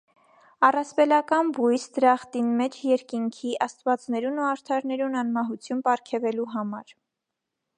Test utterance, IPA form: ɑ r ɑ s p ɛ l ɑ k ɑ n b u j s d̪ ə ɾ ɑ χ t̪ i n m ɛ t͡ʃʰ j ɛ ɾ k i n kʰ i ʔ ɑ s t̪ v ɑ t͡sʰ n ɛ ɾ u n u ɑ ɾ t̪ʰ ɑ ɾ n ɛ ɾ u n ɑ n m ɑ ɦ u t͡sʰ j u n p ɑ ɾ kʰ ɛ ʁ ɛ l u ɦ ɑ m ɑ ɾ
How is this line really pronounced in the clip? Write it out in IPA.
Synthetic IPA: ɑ r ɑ s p ɛ l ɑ k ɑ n b u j s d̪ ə ɾ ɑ χ t̪ i n m ɛ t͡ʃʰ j ɛ ɾ k i ŋ kʰ i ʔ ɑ s t̪ v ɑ t͡s n ɛ ɾ u n u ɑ ɾ t̪ʰ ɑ ɾ n ɛ ɾ u n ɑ n m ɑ ɦ u t͡sʰ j u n p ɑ ɾ kʰ ɛ v ɛ l u ɦ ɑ m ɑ ɾ